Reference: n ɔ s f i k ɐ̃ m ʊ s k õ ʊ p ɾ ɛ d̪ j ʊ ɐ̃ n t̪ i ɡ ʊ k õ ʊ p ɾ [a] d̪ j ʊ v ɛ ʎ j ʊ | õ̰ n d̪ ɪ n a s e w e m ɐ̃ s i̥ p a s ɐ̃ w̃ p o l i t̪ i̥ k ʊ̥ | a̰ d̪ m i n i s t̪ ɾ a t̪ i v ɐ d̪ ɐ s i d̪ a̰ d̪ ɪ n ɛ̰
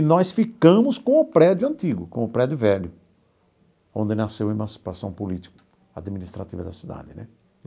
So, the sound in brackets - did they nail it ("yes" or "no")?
no